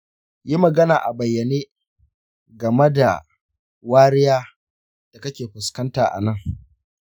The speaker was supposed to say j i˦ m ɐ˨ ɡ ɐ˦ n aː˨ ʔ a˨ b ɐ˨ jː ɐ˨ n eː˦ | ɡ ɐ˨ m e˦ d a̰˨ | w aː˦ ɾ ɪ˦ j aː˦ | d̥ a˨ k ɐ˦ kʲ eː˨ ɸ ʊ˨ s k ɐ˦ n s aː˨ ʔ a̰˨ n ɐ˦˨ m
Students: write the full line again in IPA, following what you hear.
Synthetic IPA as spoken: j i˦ m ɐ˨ ɡ ɐ˦ n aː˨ ʔ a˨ b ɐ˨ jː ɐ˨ n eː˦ | ɡ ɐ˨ m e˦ d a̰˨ | w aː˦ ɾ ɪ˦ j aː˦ | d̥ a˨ k ɐ˦ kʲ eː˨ ɸ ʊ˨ s k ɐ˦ n t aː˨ ʔ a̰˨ n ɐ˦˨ ŋ